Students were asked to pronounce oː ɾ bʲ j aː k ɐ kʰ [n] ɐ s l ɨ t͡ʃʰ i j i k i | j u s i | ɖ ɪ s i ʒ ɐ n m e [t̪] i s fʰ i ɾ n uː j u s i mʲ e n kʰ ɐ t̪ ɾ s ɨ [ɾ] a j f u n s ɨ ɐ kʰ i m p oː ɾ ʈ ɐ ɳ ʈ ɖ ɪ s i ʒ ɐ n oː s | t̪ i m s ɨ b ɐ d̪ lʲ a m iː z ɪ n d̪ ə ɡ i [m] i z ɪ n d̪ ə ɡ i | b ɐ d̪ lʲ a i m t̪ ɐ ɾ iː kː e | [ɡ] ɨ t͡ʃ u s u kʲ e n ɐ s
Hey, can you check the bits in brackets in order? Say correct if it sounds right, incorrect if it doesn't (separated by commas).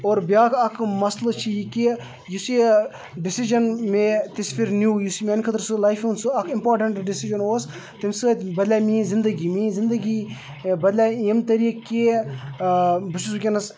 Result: incorrect, correct, incorrect, correct, incorrect